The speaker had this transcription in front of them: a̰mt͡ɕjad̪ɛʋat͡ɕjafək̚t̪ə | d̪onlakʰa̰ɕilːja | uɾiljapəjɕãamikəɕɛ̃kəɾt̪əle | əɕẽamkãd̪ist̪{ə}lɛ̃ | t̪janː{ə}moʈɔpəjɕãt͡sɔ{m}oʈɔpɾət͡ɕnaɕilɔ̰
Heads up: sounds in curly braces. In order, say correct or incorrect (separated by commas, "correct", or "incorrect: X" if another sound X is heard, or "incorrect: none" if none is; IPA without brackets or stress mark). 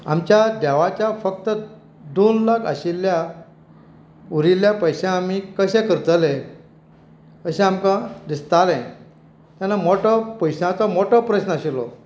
incorrect: a, incorrect: a, correct